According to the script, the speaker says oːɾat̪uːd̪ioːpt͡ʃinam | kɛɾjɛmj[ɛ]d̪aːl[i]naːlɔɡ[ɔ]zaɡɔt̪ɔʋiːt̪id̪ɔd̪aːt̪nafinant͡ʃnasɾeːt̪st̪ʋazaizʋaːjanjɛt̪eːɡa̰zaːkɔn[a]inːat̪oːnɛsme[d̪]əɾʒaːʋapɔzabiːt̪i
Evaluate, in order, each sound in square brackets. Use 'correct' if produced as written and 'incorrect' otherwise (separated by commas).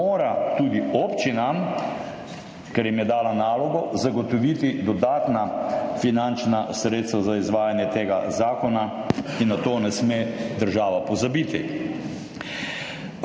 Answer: correct, incorrect, correct, correct, correct